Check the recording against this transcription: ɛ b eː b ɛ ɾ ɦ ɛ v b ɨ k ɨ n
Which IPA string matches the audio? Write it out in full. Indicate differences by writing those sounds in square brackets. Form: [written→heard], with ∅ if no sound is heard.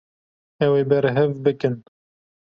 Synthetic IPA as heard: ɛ [b→w] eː b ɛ ɾ ɦ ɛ v b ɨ k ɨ n